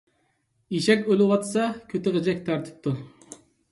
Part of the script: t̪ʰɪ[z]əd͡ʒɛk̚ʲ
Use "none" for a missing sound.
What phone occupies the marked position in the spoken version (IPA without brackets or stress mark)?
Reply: ʁ